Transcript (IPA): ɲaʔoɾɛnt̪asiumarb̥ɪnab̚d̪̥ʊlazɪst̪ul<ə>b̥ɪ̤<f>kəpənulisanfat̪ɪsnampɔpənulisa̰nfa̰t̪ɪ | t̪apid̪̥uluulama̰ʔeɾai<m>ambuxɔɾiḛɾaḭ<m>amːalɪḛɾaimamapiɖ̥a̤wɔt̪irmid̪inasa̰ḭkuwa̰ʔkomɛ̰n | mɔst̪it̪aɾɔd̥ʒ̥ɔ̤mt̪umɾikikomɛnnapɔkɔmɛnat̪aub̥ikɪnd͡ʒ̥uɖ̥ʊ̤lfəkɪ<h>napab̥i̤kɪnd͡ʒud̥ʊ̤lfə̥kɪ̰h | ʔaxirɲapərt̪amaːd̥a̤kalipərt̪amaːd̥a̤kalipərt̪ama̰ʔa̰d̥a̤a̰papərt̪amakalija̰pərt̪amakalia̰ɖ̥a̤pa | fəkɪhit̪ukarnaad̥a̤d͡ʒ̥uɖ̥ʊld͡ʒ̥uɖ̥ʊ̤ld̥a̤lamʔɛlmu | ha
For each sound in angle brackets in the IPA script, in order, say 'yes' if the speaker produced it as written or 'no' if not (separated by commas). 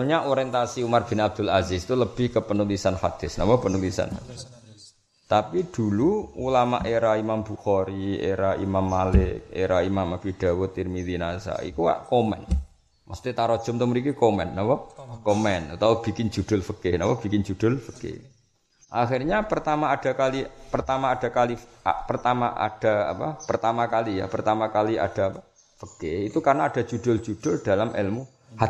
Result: yes, no, yes, yes, yes